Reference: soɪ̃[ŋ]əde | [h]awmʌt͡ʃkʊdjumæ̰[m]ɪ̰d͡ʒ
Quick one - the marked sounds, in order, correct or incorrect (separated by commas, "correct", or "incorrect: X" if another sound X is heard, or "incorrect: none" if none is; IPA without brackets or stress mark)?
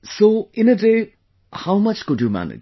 incorrect: n, correct, incorrect: n